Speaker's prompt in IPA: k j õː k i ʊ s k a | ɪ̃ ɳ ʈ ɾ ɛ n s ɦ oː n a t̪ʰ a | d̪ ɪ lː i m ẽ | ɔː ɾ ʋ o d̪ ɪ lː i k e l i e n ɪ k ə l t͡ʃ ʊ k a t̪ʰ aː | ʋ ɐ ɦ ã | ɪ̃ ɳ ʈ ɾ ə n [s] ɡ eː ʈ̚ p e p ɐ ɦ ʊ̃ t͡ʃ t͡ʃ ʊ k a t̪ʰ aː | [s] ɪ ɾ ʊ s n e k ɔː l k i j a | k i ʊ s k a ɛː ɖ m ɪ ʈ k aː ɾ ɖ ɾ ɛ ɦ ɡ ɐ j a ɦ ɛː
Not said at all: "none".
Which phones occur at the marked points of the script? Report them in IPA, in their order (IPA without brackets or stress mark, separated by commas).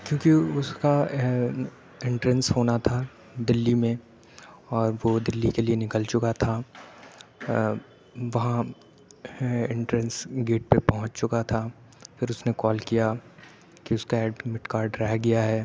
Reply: s, f